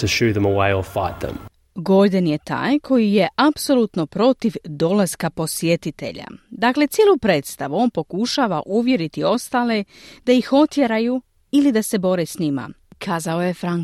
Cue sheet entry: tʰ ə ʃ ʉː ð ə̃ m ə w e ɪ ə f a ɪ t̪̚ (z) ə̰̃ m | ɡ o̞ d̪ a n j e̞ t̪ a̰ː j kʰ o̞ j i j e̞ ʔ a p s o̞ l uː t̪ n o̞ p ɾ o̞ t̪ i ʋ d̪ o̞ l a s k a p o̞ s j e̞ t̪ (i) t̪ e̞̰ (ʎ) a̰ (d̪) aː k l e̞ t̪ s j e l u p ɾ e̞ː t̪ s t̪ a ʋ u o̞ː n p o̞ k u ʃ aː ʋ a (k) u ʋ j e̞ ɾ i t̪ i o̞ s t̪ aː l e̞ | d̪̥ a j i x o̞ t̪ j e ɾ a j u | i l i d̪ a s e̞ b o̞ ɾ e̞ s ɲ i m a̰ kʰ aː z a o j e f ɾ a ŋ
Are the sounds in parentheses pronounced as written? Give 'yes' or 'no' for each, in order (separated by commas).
no, yes, yes, yes, no